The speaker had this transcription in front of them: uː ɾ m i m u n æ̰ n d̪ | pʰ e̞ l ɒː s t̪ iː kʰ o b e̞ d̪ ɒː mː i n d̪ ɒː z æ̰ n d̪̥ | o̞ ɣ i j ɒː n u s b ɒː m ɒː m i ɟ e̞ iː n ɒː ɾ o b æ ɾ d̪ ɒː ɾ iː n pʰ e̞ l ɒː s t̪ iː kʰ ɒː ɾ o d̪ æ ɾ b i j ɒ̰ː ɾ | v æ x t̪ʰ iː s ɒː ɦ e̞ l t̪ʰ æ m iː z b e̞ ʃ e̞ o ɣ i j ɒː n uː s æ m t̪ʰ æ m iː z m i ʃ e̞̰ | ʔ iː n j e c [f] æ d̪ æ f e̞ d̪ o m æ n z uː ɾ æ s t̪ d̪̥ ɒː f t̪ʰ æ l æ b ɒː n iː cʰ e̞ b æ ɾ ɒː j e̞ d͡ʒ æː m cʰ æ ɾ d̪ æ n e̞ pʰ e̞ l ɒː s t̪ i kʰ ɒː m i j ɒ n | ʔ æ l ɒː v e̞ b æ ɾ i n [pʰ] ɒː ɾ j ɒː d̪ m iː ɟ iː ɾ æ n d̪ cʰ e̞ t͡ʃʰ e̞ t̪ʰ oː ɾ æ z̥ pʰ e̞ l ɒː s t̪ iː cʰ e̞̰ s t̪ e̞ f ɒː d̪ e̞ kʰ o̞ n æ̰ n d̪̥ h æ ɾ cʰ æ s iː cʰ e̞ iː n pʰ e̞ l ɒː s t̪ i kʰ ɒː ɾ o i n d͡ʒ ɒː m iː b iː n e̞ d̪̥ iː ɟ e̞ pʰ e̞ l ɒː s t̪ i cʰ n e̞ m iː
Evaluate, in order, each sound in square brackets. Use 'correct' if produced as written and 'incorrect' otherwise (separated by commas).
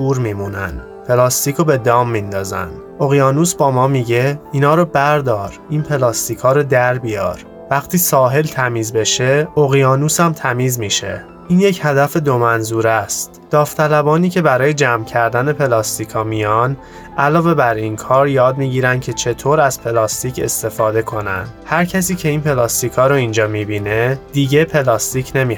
incorrect, incorrect